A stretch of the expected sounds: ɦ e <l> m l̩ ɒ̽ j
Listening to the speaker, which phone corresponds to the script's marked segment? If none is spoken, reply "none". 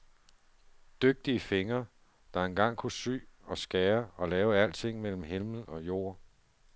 l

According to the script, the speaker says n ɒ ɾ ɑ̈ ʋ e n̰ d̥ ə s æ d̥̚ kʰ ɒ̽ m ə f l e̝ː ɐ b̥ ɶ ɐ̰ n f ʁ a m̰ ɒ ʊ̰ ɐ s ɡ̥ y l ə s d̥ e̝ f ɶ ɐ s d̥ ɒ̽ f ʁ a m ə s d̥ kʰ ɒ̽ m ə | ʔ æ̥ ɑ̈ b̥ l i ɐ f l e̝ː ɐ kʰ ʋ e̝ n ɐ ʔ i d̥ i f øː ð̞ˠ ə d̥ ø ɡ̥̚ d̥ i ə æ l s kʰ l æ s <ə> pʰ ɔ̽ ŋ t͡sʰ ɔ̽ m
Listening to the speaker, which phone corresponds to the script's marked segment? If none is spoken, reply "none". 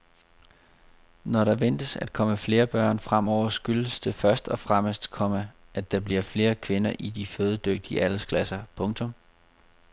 ɐ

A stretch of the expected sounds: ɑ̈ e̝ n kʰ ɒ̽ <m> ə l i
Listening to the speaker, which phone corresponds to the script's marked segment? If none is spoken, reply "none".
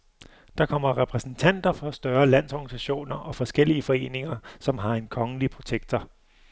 ŋ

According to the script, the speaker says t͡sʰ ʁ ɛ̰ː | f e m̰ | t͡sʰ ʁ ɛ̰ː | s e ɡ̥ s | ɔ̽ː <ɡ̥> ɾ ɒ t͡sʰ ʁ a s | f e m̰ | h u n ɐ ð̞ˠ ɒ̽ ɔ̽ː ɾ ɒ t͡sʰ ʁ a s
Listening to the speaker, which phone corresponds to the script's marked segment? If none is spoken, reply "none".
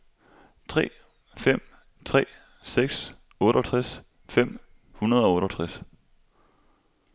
none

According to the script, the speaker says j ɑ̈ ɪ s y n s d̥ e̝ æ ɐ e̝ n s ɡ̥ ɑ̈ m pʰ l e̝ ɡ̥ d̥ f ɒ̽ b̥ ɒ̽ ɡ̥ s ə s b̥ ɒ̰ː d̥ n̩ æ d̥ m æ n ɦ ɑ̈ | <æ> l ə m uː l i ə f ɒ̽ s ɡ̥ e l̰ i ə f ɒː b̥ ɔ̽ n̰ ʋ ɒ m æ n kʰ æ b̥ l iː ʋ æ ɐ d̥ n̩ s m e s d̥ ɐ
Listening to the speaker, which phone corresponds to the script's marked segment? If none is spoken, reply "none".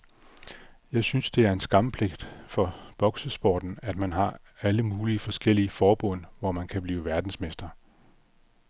æ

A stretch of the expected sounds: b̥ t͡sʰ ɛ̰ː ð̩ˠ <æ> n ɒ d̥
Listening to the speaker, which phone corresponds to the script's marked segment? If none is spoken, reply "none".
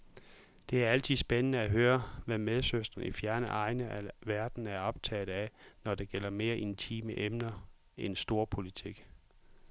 æ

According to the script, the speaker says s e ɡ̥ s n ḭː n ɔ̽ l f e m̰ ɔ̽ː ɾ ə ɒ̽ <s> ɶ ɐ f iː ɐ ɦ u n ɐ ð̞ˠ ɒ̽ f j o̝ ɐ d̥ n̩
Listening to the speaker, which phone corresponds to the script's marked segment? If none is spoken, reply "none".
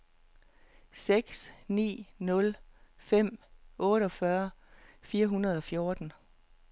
f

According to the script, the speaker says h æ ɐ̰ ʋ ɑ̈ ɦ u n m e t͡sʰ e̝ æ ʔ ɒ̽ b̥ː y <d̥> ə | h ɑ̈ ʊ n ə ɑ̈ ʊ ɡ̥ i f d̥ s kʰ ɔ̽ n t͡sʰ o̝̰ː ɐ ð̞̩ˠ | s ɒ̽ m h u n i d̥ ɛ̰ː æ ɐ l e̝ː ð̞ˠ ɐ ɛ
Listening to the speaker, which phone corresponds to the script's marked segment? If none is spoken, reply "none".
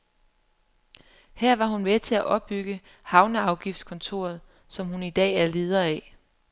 ɡ̥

